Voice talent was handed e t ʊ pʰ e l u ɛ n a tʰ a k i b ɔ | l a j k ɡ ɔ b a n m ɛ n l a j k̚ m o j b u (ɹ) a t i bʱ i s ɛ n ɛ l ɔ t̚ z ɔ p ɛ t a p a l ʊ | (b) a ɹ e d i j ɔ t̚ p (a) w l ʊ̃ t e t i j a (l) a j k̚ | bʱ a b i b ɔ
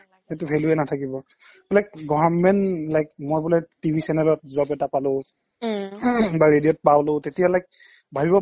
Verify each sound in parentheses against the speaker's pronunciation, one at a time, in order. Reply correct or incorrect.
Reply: incorrect, correct, correct, correct

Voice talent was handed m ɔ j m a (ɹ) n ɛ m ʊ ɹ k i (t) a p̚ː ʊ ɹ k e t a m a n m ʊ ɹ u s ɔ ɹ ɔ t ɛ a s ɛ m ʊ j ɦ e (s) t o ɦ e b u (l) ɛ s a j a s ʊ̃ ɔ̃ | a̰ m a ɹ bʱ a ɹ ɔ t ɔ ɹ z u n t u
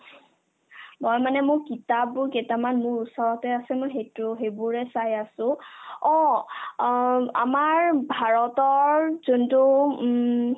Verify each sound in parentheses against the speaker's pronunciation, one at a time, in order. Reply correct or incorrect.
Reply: incorrect, correct, incorrect, incorrect

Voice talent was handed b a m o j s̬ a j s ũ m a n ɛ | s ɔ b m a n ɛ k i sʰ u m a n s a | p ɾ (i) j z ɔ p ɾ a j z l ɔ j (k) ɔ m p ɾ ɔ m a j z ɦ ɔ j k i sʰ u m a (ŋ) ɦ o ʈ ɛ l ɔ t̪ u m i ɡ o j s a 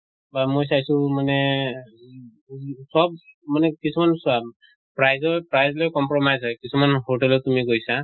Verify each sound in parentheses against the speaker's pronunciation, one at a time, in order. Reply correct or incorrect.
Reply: incorrect, correct, incorrect

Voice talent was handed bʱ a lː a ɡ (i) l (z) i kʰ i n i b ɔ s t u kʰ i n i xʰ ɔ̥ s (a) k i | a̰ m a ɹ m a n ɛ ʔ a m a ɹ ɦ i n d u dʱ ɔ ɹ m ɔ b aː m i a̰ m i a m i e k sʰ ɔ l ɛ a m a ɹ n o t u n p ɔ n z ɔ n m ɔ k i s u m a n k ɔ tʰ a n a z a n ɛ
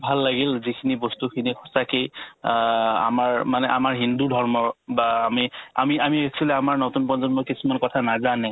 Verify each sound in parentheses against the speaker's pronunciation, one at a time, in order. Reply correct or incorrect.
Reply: correct, correct, correct

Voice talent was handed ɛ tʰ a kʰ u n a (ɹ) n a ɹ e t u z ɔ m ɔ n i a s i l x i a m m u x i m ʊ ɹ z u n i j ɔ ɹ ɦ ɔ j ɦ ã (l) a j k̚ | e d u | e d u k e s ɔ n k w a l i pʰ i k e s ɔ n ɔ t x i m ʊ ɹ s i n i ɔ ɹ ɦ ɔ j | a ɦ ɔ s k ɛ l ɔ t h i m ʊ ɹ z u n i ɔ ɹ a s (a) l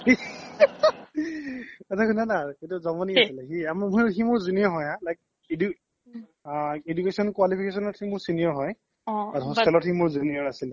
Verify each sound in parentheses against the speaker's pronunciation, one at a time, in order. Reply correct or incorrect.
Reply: incorrect, correct, incorrect

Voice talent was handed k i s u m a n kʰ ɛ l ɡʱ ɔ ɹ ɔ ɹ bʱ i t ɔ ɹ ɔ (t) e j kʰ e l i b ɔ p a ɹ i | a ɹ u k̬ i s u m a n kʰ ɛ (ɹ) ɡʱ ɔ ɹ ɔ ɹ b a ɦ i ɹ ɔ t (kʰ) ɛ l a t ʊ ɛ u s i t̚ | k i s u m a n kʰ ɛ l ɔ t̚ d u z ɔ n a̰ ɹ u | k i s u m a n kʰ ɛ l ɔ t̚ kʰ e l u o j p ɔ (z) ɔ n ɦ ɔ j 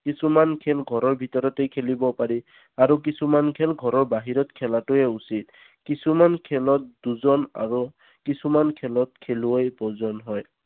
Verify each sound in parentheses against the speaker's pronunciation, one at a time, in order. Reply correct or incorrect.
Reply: correct, incorrect, correct, correct

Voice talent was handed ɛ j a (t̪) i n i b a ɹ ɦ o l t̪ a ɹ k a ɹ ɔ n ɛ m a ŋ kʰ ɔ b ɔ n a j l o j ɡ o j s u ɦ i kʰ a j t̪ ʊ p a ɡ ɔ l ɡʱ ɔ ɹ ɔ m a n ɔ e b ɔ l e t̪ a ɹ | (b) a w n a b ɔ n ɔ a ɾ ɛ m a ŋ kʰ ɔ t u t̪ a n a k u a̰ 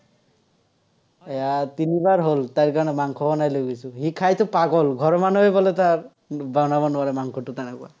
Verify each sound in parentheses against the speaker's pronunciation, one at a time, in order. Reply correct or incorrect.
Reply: correct, correct

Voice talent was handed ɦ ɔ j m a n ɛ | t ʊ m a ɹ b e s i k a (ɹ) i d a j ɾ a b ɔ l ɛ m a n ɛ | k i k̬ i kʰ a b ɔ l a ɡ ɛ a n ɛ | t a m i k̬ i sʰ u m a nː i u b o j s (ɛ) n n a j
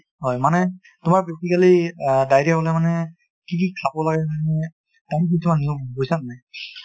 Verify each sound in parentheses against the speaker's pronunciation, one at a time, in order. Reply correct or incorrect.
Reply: incorrect, incorrect

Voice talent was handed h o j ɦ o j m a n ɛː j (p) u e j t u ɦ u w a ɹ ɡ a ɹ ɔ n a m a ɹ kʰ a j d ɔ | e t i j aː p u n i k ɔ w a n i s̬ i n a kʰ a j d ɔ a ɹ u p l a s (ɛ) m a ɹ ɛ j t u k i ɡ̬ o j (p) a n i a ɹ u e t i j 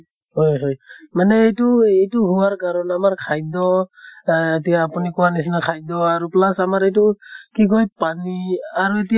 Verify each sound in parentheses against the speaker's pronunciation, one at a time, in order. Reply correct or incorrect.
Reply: incorrect, incorrect, correct

